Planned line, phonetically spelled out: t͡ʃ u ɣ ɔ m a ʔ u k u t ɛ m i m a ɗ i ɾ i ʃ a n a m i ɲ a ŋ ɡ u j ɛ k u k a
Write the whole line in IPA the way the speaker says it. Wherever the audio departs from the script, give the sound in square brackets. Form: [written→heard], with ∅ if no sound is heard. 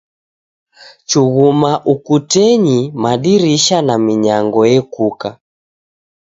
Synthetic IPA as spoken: t͡ʃ u ɣ [ɔ→u] m a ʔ u k u t ɛ [m→ɲ] i m a ɗ i ɾ i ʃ a n a m i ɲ a ŋ ɡ [u→ɔ] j ɛ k u k a